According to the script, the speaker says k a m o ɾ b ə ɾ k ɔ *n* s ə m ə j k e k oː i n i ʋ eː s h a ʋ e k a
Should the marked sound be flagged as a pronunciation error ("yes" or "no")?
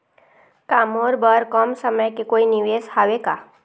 yes